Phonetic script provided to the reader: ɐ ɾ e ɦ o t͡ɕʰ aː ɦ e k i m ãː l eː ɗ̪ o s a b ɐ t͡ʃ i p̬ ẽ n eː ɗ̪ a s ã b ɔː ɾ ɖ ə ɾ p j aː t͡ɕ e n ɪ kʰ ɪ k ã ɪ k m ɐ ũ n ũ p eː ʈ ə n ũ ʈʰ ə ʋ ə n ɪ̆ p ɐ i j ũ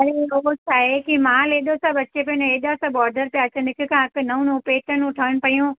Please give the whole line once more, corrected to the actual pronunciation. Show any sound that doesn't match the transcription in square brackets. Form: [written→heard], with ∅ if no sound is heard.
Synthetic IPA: ɐ ɾ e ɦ o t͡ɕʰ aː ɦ e k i m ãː l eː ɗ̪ o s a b ɐ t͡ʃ [i→e] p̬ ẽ n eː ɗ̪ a s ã b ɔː ɾ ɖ ə ɾ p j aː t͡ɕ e n ɪ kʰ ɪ k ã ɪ k [m→n] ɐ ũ n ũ p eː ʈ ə n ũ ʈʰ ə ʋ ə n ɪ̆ p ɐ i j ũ

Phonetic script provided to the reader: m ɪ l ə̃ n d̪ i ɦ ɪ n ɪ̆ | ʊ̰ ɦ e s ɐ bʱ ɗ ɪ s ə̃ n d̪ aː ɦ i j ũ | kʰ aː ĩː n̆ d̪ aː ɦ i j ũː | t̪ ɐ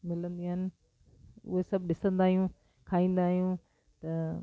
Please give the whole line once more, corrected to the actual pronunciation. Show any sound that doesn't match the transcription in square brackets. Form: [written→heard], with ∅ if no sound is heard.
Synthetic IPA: m ɪ l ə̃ n d̪ i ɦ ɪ n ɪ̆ | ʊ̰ ɦ e s ɐ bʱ ɗ ɪ s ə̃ n d̪ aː ɦ i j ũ | kʰ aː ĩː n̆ d̪ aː ɦ i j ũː | t̪ ɐ

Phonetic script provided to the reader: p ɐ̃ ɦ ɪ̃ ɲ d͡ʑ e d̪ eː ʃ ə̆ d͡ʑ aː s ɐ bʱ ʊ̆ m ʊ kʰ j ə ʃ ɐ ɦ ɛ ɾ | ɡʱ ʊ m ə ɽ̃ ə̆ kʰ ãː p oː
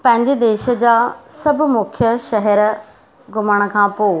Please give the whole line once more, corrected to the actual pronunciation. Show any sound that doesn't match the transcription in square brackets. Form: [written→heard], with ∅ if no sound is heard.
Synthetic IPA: p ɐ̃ ɦ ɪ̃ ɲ d͡ʑ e d̪ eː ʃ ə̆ d͡ʑ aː s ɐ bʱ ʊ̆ m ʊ kʰ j ə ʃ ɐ ɦ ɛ ɾ | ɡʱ ʊ m ə ɽ̃ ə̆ kʰ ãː p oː

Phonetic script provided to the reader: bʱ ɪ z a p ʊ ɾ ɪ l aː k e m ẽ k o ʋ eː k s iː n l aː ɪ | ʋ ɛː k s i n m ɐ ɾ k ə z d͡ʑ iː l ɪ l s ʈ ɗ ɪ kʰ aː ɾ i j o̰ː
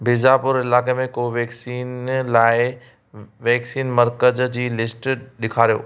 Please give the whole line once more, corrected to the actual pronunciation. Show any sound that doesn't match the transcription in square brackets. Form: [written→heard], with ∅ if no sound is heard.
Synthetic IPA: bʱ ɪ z a p ʊ ɾ ɪ l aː k e m ẽ k o ʋ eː k s iː n l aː ɪ | ʋ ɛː k s [i→iː] n m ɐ ɾ k ə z d͡ʑ iː l ɪ [l→∅] s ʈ ɗ ɪ kʰ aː ɾ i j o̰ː

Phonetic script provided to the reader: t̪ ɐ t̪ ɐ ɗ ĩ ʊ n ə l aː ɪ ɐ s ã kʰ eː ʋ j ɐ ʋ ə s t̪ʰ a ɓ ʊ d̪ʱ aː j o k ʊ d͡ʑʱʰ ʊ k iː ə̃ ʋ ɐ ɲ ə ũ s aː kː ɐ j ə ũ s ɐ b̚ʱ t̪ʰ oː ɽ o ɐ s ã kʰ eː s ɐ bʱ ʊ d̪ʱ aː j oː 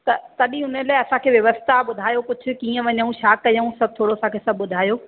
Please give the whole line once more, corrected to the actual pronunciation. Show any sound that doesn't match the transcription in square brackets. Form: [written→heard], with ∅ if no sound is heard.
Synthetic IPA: t̪ ɐ t̪ ɐ ɗ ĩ ʊ n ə l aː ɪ ɐ s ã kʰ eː ʋ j ɐ ʋ ə s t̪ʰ a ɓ ʊ d̪ʱ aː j o k ʊ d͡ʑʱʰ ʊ k iː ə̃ ʋ ɐ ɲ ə ũ [s→ʃ] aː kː ɐ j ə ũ s ɐ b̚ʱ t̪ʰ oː ɽ o ɐ s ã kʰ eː s ɐ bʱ ʊ d̪ʱ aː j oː

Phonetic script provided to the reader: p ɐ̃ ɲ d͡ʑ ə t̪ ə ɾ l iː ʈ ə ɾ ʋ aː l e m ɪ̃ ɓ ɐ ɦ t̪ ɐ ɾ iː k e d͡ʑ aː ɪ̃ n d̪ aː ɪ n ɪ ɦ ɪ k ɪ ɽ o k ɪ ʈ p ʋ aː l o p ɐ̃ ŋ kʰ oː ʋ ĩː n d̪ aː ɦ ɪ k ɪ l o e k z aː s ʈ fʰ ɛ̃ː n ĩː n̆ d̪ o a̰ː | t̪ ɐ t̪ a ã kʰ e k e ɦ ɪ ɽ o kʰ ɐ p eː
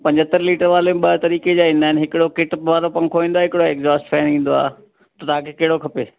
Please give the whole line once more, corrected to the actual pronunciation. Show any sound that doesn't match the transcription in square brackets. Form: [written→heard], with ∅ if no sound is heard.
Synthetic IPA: p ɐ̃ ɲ d͡ʑ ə t̪ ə ɾ l iː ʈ ə ɾ ʋ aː l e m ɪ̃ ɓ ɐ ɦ t̪ ɐ ɾ iː k e d͡ʑ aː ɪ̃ n d̪ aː ɪ n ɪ ɦ ɪ k ɪ ɽ o k ɪ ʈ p ʋ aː l o p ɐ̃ ŋ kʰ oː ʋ ĩː n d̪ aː ɦ ɪ k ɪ [l→ɽ] o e k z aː s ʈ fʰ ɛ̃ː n ĩː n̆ d̪ o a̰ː | t̪ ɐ t̪ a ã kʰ e k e ɦ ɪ ɽ o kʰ ɐ p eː

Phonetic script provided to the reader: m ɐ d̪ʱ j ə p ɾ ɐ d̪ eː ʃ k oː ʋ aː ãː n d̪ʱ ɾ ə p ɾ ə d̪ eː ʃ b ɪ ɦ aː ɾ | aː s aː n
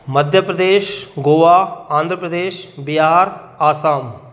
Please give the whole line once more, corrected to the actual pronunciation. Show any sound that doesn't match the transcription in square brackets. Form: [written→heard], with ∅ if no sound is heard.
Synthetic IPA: m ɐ d̪ʱ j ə p ɾ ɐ d̪ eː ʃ [k→ɡ] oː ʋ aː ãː n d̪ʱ ɾ ə p ɾ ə d̪ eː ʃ b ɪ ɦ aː ɾ | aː s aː [n→m]

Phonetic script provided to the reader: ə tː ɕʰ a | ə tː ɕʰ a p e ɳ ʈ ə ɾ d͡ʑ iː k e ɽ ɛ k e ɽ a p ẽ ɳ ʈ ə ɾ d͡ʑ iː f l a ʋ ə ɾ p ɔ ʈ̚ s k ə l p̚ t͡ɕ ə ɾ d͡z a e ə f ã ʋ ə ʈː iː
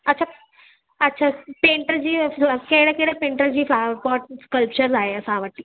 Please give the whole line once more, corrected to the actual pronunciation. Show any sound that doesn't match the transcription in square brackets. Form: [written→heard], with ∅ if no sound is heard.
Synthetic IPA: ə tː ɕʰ a | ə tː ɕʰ a p e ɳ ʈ ə ɾ d͡ʑ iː k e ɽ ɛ k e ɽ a p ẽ ɳ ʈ ə ɾ d͡ʑ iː f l a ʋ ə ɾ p ɔ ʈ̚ s k ə l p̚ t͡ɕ ə ɾ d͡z a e ə [f→s] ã ʋ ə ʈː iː

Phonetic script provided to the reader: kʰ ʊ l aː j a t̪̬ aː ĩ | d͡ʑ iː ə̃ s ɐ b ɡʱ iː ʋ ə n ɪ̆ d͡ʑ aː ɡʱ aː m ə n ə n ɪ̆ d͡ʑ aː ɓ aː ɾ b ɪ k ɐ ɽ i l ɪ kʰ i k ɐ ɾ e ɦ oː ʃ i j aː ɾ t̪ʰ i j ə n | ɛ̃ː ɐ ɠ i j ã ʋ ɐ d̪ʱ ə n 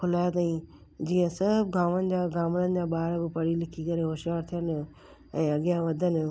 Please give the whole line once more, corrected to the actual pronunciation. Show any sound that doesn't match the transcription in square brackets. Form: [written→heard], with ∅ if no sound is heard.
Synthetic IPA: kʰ ʊ l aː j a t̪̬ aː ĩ | d͡ʑ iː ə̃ s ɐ b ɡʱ [iː→aː] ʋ ə n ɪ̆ d͡ʑ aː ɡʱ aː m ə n ə n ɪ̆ d͡ʑ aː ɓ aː ɾ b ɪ [k→p] ɐ ɽ i l ɪ kʰ i k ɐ ɾ e ɦ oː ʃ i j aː ɾ t̪ʰ i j ə n | ɛ̃ː ɐ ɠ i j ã ʋ ɐ d̪ʱ ə n

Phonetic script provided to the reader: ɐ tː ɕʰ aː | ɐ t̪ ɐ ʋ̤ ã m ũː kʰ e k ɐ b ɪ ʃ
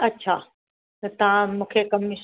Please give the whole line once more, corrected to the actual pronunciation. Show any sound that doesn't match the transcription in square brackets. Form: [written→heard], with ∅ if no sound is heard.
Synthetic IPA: ɐ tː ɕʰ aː | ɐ t̪ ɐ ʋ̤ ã m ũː kʰ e k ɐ [b→m] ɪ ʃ

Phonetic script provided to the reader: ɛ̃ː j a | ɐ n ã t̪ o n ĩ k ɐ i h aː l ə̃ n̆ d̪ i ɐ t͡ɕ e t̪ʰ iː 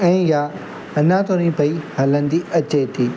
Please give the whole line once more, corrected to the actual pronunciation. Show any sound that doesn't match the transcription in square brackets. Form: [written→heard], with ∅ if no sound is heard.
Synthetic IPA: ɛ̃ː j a | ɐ n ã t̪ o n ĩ [k→p] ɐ i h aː l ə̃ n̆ d̪ i ɐ t͡ɕ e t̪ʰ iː

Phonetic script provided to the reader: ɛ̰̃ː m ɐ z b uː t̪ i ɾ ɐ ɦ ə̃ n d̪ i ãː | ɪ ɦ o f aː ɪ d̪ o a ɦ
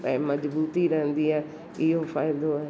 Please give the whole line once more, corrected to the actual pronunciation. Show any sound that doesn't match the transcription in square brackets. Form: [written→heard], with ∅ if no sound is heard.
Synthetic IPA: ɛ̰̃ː m ɐ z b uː t̪ i ɾ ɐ ɦ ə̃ n d̪ i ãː | ɪ ɦ o f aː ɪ d̪ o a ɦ

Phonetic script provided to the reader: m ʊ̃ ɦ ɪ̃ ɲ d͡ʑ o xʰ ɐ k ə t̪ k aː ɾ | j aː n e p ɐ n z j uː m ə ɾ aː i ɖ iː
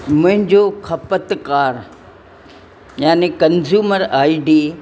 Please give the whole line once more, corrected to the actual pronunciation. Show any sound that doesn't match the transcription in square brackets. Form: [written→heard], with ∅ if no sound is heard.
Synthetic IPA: m ʊ̃ ɦ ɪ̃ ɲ d͡ʑ o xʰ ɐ [k→p] ə t̪ k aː ɾ | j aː n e [p→k] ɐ n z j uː m ə ɾ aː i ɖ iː

